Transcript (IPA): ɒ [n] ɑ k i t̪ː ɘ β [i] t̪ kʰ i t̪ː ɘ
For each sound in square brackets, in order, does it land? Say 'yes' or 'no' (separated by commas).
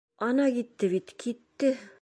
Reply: yes, yes